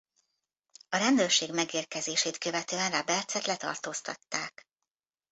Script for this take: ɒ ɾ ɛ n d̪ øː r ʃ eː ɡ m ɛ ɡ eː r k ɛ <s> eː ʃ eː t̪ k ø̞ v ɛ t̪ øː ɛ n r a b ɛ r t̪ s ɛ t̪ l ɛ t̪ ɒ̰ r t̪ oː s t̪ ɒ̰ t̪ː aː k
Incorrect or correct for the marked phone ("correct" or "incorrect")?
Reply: incorrect